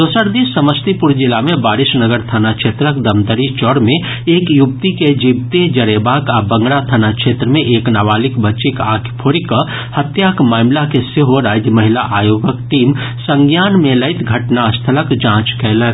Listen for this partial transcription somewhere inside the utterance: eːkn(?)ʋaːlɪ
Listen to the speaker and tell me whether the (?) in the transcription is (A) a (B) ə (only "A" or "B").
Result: A